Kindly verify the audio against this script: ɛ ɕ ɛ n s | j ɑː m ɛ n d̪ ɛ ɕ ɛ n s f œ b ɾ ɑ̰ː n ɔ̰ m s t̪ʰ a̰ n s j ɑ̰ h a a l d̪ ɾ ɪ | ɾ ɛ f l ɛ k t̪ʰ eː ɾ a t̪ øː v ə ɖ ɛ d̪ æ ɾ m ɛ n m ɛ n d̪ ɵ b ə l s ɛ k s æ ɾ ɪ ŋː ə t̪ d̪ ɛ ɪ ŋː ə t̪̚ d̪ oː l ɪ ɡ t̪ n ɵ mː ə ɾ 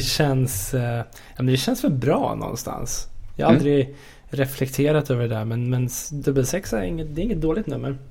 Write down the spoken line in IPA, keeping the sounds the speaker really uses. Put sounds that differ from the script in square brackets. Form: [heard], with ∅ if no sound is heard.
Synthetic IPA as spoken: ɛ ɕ ɛ n s | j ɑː m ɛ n d̪ ɛ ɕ ɛ n s f œ b ɾ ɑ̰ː n ɔ̰ [n] s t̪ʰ a̰ n s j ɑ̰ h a a l d̪ ɾ ɪ | ɾ ɛ f l ɛ k t̪ʰ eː ɾ a t̪ øː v ə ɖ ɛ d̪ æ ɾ m ɛ n m ɛ n d̪ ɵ b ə l s ɛ k s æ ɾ ɪ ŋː ə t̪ d̪ ɛ ɪ ŋː ə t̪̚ d̪ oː l ɪ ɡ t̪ n ɵ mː ə ɾ